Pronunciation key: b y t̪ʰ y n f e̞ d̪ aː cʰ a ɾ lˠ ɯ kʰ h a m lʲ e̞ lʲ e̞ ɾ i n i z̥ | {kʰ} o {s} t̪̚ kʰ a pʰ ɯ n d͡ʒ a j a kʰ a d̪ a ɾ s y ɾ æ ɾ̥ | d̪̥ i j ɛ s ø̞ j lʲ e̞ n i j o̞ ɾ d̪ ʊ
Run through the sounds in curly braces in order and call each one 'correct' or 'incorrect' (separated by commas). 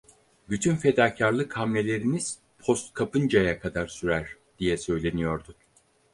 incorrect, correct